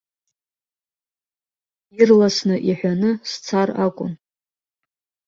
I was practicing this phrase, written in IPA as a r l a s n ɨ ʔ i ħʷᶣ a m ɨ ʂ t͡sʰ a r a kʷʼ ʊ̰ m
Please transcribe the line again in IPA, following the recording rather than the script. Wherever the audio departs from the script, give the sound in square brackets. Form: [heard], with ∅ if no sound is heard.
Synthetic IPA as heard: [i] r l a s n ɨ ʔ i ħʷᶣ a [n] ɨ [s] t͡sʰ a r a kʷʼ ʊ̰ [n]